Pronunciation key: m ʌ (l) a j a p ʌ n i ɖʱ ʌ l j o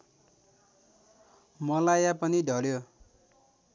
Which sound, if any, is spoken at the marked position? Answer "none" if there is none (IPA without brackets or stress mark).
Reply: l